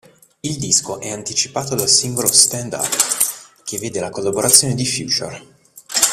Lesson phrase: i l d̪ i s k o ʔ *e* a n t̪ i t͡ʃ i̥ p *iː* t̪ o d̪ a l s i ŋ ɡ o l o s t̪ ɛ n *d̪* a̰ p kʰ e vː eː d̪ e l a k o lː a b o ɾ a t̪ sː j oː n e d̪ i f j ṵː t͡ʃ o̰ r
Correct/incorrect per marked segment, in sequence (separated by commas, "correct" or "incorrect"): incorrect, incorrect, correct